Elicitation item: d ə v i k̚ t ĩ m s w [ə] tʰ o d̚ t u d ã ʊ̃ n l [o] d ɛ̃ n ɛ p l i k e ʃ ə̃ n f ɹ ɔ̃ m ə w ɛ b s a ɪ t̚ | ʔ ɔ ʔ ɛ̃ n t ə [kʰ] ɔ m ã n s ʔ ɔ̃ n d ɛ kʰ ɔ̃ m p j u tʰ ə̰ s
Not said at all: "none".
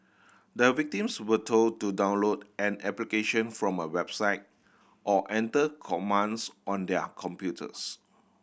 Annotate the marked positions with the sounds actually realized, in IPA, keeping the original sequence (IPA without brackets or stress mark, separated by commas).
ə, o, kʰ